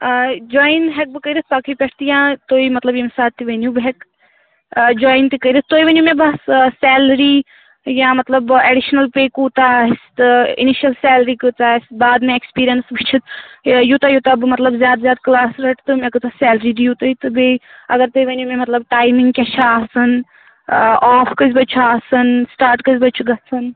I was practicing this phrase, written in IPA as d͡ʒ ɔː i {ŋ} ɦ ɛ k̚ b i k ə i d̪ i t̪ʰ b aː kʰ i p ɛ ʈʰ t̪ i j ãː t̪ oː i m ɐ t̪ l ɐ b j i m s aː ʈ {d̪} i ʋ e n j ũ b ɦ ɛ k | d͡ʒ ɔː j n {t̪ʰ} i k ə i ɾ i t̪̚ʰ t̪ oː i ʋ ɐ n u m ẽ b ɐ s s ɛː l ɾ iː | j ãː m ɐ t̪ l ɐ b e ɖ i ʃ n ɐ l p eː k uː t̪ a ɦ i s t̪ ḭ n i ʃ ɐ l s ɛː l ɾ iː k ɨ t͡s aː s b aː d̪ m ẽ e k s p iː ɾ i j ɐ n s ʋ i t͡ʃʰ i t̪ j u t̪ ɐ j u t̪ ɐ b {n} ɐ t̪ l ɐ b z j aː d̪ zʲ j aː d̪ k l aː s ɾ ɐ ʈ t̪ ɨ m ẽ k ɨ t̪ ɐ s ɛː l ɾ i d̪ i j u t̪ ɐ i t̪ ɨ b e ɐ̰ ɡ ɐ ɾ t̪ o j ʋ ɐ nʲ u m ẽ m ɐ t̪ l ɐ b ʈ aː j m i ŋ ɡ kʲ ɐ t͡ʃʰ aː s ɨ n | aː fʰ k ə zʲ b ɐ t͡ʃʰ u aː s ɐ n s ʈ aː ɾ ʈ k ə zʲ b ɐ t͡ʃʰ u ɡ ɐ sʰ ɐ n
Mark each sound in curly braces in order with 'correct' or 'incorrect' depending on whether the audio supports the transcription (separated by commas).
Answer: incorrect, incorrect, incorrect, incorrect